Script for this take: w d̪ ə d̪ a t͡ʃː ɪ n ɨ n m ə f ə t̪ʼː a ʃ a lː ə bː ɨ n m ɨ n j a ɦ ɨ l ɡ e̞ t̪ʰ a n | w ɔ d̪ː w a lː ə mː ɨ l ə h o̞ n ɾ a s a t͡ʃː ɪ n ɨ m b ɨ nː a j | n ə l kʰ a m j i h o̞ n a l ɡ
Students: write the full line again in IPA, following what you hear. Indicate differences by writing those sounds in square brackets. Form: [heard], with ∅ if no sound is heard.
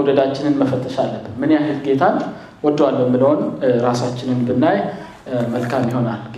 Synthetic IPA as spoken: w d̪ ə d̪ a t͡ʃː ɪ n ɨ n m ə f ə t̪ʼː [ə] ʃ a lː ə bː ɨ n m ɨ n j a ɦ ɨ l ɡ e̞ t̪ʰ a n | w ɔ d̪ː w a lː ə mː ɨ l ə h o̞ n ɾ a s a t͡ʃː ɪ n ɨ [n] b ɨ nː a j | [m] ə l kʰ a m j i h o̞ n a l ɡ